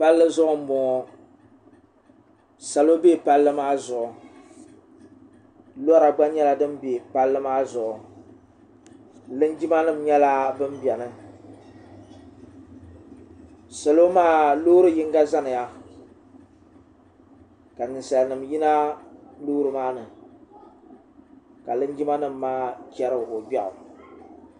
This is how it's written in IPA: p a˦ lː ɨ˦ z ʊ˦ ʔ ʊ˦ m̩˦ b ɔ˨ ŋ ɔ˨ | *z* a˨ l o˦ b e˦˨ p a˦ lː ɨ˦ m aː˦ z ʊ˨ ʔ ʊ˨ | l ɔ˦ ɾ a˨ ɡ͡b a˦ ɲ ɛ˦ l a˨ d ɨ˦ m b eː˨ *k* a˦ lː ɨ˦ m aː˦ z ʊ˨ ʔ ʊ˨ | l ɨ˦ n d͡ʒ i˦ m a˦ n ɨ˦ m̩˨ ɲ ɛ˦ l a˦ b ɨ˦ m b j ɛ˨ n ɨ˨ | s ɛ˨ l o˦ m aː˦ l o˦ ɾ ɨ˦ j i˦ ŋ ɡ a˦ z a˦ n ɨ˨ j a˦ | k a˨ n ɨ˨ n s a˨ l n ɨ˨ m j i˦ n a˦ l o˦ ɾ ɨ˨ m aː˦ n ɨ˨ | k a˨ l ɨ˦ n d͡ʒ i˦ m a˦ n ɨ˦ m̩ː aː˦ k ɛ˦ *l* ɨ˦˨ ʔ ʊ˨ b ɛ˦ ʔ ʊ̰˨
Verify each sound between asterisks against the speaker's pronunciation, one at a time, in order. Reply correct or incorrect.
incorrect, incorrect, incorrect

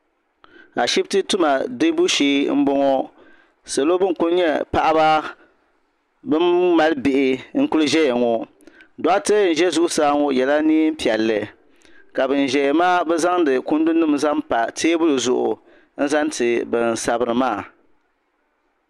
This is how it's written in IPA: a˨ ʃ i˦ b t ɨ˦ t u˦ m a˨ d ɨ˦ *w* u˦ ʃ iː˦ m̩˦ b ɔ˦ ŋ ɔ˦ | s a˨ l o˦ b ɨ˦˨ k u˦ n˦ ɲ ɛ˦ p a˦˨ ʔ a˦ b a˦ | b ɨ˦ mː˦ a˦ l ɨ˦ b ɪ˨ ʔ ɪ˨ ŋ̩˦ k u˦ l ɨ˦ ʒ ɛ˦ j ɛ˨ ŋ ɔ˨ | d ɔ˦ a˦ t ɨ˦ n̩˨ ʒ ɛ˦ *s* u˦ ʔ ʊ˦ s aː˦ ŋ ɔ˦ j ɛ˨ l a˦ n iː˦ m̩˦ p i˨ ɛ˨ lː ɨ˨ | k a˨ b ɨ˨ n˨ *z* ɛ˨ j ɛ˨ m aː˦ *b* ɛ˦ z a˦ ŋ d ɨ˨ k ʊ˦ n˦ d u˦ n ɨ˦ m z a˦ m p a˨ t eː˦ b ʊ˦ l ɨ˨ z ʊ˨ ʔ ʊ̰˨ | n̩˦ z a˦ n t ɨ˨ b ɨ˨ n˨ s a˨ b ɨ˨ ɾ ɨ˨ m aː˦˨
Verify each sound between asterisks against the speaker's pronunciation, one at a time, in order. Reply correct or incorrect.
incorrect, incorrect, incorrect, correct

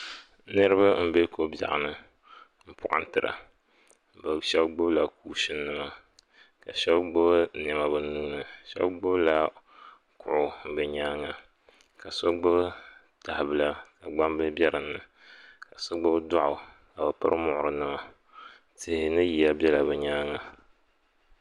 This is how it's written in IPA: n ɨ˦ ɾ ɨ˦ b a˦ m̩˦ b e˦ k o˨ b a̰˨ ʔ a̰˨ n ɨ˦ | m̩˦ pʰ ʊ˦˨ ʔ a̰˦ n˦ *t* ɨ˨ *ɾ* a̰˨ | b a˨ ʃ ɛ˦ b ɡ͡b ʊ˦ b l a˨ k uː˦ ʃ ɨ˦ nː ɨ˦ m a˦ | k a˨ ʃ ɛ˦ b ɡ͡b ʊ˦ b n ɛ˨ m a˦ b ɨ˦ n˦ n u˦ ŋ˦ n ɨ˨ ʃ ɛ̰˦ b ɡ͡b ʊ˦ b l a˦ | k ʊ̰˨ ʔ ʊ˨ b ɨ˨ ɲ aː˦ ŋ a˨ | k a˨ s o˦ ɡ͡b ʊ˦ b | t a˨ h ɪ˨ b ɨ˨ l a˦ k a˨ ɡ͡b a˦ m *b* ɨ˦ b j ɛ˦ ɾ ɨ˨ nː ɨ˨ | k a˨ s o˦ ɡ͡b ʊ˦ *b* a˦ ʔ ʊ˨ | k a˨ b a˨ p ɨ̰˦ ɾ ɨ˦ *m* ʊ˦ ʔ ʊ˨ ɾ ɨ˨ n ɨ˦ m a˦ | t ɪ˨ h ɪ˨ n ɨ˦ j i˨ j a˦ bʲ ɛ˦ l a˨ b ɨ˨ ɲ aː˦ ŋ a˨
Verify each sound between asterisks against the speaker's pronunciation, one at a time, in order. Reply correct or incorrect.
correct, correct, correct, incorrect, correct

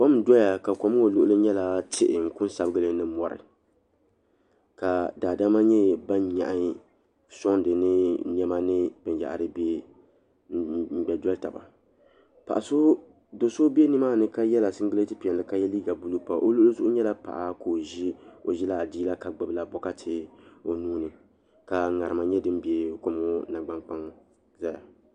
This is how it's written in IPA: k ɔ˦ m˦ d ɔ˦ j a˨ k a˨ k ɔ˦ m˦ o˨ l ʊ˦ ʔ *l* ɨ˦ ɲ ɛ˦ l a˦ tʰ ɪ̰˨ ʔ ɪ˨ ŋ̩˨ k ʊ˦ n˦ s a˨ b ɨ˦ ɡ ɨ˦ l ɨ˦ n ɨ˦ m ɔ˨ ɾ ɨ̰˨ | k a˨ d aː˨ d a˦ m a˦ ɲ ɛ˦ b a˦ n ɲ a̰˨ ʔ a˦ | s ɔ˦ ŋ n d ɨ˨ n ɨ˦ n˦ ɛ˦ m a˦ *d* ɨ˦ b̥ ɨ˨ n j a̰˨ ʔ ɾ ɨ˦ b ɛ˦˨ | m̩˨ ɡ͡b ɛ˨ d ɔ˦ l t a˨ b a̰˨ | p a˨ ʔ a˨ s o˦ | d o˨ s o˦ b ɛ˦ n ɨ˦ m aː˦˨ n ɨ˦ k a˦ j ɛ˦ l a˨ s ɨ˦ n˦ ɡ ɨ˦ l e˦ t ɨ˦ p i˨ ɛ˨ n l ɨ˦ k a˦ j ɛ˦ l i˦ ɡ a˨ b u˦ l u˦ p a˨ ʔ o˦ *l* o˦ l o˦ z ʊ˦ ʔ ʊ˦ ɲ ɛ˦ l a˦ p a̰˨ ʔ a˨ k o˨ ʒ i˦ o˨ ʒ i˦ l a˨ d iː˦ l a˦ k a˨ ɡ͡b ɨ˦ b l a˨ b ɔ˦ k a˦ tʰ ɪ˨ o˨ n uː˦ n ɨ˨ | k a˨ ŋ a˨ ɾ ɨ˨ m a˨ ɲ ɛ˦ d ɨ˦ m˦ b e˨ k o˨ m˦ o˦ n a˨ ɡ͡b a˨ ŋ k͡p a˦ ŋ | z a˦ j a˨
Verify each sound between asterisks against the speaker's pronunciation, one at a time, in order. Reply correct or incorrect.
correct, incorrect, correct

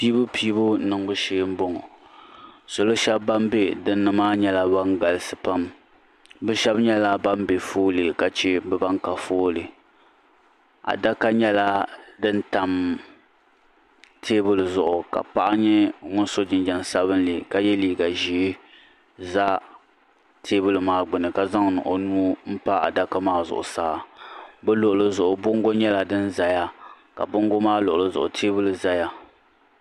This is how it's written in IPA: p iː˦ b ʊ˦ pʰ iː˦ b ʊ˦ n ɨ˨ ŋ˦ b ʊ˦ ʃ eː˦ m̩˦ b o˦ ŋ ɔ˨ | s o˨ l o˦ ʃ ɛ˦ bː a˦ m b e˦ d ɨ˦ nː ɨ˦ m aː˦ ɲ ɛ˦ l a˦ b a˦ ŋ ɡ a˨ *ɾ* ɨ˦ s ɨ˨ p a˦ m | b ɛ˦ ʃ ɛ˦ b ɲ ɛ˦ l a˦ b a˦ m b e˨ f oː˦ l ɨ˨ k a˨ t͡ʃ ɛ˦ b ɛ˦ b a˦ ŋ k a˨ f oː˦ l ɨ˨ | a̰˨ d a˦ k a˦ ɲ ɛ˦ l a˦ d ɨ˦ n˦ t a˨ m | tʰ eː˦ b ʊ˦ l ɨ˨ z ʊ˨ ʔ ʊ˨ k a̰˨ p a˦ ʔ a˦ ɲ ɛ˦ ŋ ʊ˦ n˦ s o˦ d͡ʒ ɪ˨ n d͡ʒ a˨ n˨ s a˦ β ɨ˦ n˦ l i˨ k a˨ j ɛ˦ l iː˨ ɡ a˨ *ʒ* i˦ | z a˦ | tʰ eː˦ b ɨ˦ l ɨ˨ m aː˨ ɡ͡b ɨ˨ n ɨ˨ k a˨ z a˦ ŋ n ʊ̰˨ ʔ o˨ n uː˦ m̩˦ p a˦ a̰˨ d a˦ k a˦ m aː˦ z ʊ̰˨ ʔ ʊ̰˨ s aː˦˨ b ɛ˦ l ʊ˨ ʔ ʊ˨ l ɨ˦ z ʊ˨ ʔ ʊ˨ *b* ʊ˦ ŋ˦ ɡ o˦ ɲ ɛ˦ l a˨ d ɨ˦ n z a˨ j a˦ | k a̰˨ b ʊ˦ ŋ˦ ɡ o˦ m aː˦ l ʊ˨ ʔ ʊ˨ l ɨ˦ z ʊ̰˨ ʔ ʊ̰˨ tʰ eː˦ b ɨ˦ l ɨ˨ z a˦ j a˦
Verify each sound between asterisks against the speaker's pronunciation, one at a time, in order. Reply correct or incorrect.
incorrect, correct, correct

